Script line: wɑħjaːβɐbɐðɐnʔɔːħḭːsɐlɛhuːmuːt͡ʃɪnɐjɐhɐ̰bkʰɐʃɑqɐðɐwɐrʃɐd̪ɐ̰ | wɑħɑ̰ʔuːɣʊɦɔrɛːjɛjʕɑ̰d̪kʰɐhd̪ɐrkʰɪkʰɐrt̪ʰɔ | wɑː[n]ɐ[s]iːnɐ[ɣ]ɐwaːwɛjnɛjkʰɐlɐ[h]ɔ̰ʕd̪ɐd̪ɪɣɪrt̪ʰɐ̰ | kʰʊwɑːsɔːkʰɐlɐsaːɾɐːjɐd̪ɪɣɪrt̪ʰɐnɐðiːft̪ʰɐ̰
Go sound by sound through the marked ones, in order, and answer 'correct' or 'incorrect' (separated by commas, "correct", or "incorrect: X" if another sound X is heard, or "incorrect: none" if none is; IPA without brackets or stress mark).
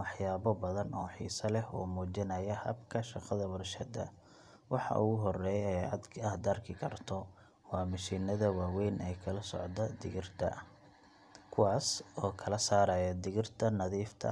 incorrect: m, incorrect: ʃ, incorrect: ð, incorrect: s